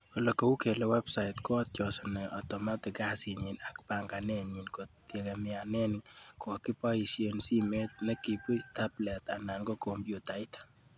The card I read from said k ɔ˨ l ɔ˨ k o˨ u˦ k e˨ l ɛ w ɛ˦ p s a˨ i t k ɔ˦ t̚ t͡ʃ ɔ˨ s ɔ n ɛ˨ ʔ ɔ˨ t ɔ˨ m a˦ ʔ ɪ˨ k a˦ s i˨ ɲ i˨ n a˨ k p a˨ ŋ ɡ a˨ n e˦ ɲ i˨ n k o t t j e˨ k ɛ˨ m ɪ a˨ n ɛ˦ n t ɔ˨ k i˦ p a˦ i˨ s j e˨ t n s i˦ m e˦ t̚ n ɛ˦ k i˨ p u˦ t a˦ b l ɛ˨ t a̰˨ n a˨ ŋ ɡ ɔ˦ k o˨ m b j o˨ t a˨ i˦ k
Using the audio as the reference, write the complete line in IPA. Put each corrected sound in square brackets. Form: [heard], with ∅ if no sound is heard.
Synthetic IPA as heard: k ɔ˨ l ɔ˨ k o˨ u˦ k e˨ l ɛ w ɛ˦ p s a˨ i t k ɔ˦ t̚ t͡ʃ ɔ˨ s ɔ n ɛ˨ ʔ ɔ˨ t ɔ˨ m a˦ [t] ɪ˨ k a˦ s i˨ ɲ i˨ n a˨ k p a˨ ŋ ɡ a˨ n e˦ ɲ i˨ n k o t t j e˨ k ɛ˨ m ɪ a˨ n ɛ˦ n [k] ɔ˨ k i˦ p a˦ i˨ s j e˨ [∅] n s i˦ m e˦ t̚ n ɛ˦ k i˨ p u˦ t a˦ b l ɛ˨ t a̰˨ n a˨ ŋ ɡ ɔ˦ k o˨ m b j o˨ t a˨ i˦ [t]

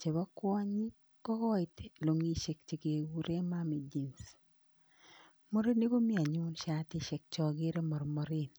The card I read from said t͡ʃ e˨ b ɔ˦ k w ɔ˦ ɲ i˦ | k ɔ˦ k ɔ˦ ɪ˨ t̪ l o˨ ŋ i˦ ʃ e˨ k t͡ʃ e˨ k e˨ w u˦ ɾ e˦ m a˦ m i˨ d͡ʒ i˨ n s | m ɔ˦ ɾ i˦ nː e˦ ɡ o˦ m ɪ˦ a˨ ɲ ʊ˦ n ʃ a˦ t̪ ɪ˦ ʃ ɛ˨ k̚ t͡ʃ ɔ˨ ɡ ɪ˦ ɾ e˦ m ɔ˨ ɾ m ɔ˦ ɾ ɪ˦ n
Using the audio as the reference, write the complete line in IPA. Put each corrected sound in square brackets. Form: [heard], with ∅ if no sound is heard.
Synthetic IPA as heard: t͡ʃ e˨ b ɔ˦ k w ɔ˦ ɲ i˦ | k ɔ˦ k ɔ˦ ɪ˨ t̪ l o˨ ŋ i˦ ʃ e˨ k t͡ʃ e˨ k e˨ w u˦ ɾ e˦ m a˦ m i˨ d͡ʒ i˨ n s | m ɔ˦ ɾ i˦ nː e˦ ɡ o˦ m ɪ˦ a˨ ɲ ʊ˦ n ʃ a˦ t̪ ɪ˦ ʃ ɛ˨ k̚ t͡ʃ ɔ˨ ɡ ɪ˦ ɾ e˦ m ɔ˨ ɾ m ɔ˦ ɾ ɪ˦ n

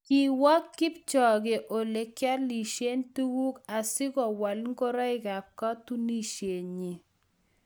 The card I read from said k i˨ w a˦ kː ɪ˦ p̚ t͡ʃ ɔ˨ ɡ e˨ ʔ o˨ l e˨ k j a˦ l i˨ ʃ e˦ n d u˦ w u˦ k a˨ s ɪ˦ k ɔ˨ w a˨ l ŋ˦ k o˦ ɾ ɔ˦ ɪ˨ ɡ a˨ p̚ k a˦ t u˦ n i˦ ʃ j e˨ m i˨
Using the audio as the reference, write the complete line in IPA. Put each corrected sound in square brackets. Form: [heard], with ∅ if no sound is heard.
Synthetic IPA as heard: k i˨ w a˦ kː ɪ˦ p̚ t͡ʃ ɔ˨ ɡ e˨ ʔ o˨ l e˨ k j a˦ l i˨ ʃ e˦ n [t] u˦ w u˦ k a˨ s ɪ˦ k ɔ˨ w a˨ l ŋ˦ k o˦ ɾ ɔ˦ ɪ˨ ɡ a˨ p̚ k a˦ t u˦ n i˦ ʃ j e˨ [ɲ] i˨

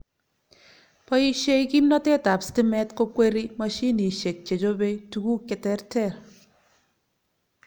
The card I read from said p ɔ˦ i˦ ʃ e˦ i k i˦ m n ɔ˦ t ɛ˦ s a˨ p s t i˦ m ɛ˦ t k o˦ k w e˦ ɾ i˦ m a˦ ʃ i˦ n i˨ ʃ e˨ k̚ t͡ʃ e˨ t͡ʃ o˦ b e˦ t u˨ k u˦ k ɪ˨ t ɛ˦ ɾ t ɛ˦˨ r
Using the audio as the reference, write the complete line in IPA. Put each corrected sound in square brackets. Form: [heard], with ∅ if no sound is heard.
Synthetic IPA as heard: p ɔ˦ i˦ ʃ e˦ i k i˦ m n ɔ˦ t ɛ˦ [t] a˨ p s t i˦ m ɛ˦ t k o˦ k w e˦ ɾ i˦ m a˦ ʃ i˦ n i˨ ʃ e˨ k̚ t͡ʃ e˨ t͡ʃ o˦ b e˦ t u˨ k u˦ k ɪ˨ t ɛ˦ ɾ t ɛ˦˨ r

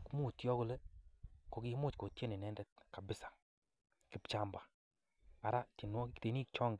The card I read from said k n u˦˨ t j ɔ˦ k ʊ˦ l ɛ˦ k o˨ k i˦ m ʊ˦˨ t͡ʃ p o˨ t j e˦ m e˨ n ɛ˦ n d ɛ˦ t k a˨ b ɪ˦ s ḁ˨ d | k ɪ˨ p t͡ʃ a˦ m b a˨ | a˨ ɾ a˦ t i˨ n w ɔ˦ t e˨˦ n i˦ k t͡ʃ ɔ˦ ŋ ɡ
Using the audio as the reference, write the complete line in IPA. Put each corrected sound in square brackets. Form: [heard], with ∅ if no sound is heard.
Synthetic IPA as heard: k [m] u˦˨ t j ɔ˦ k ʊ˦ l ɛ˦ k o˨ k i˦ m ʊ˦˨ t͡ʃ [k] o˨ t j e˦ [n] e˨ n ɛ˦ n d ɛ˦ t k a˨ b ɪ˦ s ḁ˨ [∅] | k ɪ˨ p t͡ʃ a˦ m b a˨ | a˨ ɾ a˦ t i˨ n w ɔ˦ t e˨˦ n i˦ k t͡ʃ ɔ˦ ŋ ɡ

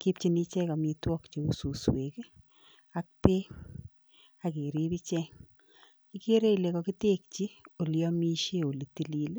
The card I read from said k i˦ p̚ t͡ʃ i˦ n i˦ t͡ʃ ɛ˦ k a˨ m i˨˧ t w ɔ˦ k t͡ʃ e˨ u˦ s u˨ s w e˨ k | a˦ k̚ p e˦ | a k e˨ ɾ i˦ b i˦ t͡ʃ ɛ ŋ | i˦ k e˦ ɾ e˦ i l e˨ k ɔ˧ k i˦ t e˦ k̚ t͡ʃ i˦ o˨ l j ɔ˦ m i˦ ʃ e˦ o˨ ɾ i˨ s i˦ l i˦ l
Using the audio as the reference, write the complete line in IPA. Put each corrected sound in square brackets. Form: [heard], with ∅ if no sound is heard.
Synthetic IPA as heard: k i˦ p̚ t͡ʃ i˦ n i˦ t͡ʃ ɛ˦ k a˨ m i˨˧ t w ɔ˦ k t͡ʃ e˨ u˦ s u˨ s w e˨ k | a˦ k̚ p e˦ | a k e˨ ɾ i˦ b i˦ t͡ʃ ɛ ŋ | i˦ k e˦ ɾ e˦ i l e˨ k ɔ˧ k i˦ t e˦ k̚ t͡ʃ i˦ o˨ l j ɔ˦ m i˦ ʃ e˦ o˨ [l] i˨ [t] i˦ l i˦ l

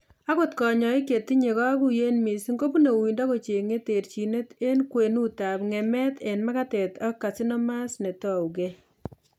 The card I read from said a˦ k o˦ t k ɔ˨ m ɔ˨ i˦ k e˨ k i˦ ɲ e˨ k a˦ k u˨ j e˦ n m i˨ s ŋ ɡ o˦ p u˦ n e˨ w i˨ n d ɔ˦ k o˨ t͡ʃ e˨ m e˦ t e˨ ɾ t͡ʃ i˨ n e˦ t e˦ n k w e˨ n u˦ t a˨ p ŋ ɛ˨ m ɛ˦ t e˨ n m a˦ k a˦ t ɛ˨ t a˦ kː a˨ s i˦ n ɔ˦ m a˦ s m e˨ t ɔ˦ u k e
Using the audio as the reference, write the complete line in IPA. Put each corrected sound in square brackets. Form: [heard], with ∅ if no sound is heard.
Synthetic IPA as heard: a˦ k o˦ t k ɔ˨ [ɲ] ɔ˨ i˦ k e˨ [t] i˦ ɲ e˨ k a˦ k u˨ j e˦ n m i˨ s ŋ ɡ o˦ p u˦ n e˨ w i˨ n d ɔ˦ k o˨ t͡ʃ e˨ [ŋ] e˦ t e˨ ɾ t͡ʃ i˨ n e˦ t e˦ n k w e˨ n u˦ t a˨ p ŋ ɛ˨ m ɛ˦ t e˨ n m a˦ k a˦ t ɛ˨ t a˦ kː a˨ s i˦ n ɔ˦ m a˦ s [n] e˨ t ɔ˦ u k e

